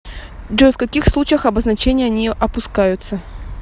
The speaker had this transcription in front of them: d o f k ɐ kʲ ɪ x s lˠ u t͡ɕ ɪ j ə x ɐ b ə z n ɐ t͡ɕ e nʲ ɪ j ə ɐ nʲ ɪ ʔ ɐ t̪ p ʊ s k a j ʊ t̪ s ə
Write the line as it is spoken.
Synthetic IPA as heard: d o f k ɐ kʲ i x s lˠ u t͡ɕ ɪ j ə x ɐ b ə z n ɐ t͡ɕ e nʲ ɪ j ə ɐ nʲ i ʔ ɐ p ʊ s k a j ʊ t̪ s ə